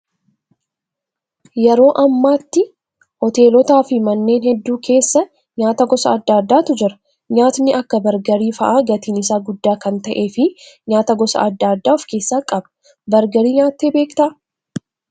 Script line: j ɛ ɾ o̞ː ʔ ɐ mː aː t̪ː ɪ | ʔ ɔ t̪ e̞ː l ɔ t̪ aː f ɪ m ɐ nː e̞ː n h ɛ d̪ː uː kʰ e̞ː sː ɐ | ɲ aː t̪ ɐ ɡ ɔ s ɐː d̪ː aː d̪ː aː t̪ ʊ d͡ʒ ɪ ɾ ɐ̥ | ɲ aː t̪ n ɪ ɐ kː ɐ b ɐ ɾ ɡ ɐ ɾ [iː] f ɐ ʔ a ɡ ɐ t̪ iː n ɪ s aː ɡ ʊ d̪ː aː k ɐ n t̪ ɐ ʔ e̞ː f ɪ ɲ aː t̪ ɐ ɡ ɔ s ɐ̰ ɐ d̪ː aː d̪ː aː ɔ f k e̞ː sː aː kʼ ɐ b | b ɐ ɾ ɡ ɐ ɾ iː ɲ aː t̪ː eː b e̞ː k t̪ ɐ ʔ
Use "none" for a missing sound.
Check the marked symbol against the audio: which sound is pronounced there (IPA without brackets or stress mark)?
iː